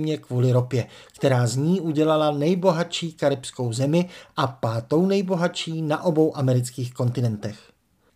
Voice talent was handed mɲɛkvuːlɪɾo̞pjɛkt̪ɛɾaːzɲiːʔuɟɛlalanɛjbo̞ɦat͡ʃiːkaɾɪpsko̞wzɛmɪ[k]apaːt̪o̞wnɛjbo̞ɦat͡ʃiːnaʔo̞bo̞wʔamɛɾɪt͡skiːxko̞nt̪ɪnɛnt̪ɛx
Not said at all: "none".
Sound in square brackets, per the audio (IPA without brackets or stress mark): ʔ